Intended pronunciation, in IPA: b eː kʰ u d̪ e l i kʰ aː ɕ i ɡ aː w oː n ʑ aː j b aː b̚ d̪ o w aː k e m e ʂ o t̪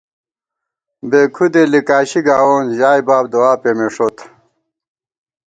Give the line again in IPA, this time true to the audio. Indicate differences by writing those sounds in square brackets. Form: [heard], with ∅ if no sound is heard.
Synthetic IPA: b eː kʰ u d̪ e l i [k] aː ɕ i ɡ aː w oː n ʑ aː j b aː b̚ d̪ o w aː [p] e m e ʂ o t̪